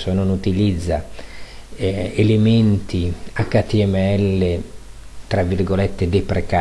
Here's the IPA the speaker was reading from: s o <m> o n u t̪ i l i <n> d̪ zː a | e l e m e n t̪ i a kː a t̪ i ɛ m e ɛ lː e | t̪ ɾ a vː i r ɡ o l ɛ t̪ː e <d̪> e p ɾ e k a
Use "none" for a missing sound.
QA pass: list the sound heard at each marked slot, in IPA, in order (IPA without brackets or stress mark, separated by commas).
n, none, d̪